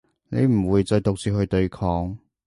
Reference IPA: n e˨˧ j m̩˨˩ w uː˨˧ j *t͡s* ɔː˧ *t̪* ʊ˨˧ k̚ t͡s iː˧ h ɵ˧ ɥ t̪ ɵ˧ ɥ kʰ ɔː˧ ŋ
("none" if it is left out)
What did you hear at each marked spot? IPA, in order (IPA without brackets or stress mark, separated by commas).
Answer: t͡s, t̪